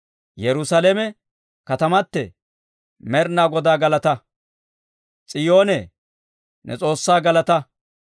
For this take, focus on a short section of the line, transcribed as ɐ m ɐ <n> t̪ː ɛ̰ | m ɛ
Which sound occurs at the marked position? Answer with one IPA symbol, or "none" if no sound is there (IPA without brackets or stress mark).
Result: none